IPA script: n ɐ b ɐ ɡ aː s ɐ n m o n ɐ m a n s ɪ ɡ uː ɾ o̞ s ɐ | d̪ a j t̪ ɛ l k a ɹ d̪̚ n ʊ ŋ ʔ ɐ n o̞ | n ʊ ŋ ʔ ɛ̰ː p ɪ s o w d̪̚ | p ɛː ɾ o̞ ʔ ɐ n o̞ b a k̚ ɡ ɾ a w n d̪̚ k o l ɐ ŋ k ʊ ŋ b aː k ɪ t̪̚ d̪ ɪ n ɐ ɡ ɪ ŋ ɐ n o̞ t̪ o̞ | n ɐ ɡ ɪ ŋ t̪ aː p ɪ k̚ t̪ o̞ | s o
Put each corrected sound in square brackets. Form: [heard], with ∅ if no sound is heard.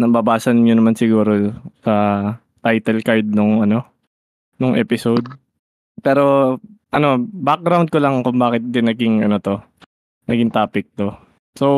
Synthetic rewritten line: n ɐ b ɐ [b] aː s ɐ n [ɲ] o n ɐ m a n s ɪ ɡ uː ɾ o̞ s ɐ | [t̪] a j t̪ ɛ l k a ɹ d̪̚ n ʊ ŋ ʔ ɐ n o̞ | n ʊ ŋ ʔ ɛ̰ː p ɪ s o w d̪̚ | p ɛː ɾ o̞ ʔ ɐ n o̞ b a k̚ ɡ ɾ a w n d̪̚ k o l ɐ ŋ k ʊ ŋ b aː k ɪ t̪̚ d̪ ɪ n ɐ ɡ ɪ ŋ ɐ n o̞ t̪ o̞ | n ɐ ɡ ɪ ŋ t̪ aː p ɪ k̚ t̪ o̞ | s o